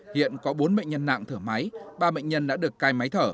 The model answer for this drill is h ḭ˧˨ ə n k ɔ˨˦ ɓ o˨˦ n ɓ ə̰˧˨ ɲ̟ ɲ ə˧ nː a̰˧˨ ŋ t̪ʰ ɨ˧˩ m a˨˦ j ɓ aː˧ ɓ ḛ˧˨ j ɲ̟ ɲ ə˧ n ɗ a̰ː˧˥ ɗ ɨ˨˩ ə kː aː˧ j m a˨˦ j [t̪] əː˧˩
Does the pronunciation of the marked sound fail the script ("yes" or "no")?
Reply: yes